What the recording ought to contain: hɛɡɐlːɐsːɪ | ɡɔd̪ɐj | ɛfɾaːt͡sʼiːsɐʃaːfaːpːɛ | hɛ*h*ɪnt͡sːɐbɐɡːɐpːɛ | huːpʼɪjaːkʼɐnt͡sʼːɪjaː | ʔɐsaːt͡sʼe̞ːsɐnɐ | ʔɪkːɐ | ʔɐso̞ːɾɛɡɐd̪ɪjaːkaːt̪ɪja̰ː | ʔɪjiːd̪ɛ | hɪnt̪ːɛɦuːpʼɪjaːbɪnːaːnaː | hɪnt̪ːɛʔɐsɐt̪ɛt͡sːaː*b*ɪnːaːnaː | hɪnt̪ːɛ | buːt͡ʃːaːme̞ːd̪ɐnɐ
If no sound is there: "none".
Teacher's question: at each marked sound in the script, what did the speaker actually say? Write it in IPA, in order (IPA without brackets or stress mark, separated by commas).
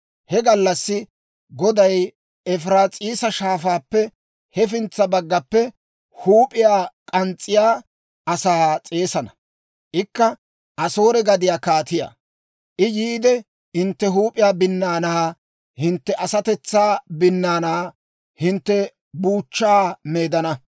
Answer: f, b